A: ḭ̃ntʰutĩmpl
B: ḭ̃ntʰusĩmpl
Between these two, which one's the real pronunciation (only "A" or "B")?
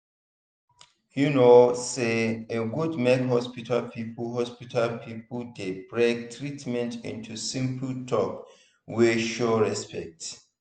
B